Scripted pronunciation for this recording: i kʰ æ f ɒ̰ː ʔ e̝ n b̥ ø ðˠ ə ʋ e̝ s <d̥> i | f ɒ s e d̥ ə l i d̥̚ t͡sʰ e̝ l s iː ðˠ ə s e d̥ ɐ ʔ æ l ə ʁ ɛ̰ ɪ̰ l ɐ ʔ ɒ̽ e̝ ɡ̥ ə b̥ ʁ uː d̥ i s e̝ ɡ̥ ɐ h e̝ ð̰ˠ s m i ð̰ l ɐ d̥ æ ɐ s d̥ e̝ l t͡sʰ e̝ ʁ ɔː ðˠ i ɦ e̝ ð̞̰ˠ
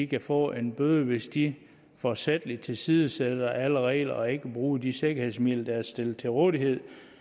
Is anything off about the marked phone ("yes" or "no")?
no